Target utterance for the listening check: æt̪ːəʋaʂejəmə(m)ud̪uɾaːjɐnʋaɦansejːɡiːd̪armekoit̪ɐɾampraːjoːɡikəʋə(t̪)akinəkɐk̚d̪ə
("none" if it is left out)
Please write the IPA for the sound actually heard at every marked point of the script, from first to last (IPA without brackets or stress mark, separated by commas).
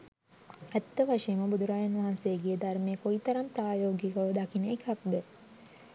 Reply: b, d̪